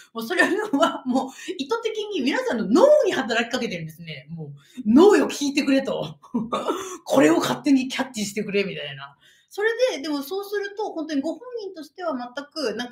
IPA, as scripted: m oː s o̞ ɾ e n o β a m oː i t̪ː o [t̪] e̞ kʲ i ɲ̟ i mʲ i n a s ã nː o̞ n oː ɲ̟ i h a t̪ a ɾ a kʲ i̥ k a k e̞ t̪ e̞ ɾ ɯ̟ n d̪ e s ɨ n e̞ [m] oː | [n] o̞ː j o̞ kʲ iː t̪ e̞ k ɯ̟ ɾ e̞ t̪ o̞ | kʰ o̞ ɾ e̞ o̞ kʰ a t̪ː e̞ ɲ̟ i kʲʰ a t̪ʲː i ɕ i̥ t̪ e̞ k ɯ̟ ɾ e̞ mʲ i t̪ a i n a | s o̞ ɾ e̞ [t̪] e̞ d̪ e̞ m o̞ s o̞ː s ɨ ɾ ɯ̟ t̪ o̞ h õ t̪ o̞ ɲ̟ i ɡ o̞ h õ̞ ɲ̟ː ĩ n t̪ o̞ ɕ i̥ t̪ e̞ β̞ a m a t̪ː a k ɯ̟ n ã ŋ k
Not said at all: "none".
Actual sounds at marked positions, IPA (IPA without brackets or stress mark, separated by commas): t̪, m, n, d̪